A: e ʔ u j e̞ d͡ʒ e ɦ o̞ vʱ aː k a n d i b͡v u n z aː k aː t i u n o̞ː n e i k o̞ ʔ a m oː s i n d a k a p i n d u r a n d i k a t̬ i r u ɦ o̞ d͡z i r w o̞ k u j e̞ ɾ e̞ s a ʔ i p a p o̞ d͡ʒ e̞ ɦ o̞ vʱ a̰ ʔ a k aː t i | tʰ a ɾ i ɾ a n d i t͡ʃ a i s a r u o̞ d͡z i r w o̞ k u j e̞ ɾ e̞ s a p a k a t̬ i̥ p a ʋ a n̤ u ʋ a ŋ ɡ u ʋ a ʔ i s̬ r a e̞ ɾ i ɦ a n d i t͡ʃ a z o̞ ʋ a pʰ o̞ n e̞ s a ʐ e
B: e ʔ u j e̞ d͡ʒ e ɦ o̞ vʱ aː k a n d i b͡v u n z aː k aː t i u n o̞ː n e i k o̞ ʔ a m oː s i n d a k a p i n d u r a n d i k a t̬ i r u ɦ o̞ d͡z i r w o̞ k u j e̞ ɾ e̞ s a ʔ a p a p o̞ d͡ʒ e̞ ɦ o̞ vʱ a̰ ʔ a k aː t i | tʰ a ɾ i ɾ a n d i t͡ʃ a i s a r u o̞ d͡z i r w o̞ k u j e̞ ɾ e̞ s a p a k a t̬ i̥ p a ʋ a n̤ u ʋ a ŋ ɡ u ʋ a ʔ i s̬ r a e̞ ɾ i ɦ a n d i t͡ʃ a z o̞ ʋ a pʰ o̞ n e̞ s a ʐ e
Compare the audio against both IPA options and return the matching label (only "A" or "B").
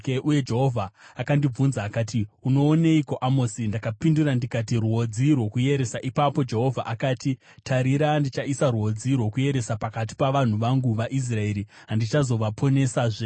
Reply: A